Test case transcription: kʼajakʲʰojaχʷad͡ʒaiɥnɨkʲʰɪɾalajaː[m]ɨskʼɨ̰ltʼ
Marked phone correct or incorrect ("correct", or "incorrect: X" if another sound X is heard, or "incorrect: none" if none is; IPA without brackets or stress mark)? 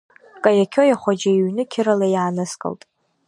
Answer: incorrect: n